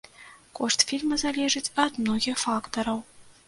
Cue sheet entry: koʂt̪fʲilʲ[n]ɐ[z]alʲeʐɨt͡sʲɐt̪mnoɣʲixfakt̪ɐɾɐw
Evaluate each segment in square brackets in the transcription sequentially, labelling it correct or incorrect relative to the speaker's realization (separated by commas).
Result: incorrect, correct